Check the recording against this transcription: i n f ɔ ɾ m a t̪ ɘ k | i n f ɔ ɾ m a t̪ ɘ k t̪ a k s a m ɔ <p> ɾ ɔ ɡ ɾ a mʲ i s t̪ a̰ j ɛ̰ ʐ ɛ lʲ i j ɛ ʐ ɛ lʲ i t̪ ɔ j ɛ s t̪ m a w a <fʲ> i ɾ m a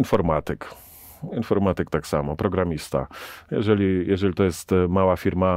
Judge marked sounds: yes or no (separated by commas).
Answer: yes, yes